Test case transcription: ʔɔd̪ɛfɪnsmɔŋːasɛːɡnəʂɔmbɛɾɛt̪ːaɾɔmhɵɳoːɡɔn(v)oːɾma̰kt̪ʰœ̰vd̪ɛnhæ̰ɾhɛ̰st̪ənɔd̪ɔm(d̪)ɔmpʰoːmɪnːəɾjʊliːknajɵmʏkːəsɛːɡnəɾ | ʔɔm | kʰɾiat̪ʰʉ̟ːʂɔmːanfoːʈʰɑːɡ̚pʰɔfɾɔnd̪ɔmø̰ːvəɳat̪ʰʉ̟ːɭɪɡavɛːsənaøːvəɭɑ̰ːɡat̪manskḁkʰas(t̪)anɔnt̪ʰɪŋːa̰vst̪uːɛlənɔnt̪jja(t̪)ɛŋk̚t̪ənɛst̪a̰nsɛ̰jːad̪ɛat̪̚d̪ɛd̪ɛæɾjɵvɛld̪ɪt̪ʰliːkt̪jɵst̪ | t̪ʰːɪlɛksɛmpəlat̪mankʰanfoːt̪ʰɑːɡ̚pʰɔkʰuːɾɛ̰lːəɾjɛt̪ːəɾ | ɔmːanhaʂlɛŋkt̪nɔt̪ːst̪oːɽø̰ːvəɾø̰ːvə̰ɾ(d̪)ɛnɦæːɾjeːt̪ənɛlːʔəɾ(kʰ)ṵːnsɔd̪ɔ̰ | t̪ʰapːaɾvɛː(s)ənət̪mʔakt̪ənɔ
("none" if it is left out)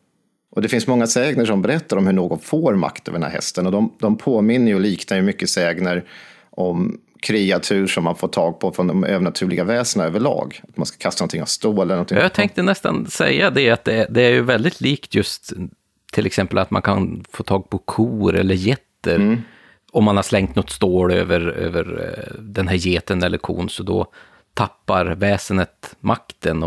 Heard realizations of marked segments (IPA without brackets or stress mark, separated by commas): f, d̪, t̪, t̪ʰ, d̪, kʰ, s